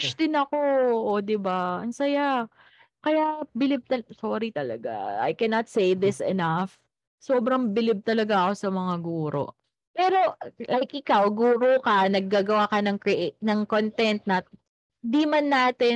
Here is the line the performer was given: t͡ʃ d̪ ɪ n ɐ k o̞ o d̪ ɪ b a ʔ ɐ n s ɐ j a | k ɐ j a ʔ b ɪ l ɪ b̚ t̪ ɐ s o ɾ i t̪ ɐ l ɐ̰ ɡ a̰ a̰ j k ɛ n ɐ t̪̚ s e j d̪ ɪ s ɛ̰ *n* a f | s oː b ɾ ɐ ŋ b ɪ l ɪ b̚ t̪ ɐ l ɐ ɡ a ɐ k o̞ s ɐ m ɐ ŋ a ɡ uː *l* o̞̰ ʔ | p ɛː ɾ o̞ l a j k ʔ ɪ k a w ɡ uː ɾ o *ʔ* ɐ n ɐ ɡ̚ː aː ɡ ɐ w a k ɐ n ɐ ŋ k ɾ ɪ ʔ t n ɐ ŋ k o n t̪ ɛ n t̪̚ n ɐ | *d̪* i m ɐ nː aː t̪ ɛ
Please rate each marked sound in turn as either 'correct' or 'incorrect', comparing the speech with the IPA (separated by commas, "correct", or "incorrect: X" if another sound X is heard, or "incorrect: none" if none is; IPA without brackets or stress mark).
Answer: correct, incorrect: ɾ, incorrect: k, correct